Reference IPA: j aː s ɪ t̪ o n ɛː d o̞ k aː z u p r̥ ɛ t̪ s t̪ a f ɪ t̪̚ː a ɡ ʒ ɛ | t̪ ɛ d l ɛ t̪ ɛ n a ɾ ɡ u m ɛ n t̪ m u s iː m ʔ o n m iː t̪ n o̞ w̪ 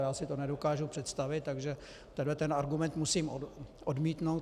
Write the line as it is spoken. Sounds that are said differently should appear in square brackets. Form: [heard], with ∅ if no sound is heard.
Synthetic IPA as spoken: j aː s ɪ t̪ o n [ɛ] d o̞ k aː [ʒ] u p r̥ ɛ t̪ s t̪ a [v] ɪ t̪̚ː a ɡ ʒ ɛ | t̪ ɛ d l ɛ t̪ ɛ n a ɾ ɡ u m ɛ n t̪ m u s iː m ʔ o [d] m iː t̪ n o̞ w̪